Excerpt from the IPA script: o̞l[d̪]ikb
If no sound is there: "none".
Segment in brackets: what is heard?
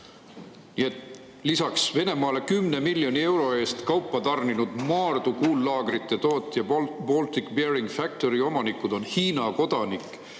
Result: t̪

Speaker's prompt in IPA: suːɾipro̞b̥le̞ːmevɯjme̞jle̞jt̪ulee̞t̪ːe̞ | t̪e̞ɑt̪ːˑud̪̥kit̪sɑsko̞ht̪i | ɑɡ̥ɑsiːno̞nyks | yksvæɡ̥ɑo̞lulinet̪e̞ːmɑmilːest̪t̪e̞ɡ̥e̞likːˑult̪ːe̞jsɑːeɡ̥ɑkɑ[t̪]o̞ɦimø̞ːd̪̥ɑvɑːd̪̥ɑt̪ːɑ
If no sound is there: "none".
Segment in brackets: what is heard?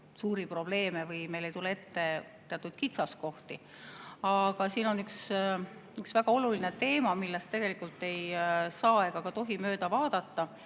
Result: t̪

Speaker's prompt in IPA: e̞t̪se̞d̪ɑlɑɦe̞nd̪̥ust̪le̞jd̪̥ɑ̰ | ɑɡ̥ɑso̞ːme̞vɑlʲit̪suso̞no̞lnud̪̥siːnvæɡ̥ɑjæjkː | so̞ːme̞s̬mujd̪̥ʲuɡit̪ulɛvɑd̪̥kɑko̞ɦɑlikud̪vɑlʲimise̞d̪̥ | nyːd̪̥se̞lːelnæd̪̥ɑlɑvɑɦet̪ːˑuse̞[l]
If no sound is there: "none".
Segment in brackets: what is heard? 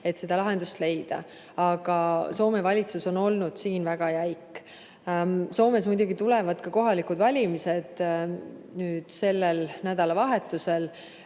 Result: l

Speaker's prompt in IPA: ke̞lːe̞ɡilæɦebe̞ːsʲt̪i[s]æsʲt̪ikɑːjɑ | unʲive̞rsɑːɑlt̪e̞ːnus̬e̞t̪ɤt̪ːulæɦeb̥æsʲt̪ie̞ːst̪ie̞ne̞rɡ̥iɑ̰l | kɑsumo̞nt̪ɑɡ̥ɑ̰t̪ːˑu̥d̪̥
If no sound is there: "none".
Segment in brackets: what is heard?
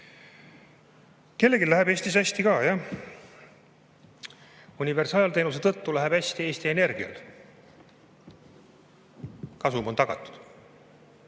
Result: s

